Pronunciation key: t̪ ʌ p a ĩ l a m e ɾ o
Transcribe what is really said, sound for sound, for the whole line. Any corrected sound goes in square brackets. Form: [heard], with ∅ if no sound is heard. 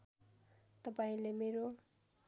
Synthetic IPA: t̪ ʌ p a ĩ l [e] m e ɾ o